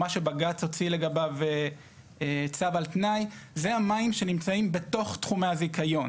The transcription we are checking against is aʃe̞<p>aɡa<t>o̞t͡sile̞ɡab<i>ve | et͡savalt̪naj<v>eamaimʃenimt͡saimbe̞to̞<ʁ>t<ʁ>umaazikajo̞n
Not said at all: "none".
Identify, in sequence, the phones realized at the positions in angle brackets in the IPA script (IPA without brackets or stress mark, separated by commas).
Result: b, t͡s, a, z, χ, χ